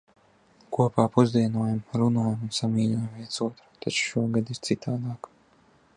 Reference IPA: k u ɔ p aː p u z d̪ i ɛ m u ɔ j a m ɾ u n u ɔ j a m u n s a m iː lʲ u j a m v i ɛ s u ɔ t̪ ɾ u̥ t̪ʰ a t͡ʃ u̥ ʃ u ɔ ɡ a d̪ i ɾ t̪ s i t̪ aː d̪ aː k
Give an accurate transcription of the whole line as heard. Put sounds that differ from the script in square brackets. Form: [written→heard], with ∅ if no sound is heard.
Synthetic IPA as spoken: k u ɔ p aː p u z d̪ i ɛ [m→n] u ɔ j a m ɾ u n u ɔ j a m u n s a m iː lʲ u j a m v i ɛ s u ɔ t̪ ɾ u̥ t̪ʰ a t͡ʃ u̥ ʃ u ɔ ɡ a d̪ i ɾ t̪ s i t̪ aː d̪ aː k